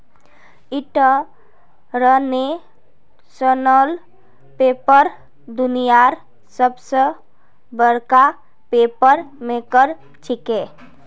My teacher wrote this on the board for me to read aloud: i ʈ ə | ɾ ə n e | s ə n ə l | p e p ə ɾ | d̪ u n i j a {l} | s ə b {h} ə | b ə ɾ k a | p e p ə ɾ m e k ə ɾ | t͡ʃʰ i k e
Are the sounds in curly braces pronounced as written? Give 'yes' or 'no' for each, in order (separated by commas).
no, no